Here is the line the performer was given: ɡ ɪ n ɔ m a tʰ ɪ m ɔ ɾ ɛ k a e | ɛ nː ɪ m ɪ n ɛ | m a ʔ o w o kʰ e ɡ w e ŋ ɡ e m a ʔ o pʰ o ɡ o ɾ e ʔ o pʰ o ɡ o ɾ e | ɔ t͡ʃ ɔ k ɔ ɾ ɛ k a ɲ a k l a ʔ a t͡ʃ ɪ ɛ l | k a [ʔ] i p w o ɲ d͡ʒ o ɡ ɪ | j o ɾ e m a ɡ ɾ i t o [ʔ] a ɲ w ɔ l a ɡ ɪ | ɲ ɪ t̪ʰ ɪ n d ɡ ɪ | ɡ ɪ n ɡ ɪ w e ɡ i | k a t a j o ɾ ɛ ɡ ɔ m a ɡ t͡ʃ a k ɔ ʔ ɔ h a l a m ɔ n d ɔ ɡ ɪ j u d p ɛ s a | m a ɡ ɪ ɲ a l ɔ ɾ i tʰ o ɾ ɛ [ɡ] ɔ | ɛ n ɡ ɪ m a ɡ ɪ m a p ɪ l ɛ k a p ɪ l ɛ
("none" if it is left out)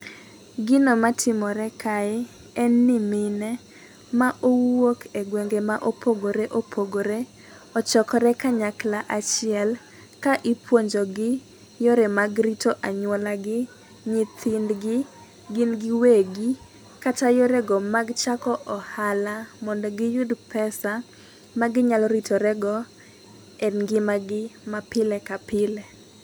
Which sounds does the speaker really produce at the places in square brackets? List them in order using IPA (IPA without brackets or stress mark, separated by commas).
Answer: ʔ, ʔ, ɡ